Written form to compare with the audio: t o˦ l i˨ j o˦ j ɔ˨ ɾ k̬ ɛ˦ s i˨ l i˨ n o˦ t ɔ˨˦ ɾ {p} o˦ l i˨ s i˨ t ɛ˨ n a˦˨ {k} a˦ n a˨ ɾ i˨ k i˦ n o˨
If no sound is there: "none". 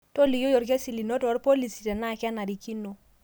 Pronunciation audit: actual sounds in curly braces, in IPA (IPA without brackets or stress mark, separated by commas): p, k